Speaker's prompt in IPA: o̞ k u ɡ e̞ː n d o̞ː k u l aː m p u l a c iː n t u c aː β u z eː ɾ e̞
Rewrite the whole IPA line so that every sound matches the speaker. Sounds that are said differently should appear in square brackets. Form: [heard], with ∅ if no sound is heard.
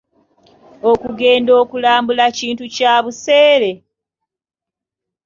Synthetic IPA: o̞ k u ɡ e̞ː n d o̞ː k u l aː m [b] u l a c iː n t u c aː β u [s] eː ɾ e̞